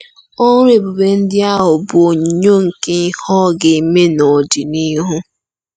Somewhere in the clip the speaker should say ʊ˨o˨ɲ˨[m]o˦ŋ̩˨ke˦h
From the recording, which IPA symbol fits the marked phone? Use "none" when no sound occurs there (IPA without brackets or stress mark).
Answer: ɲ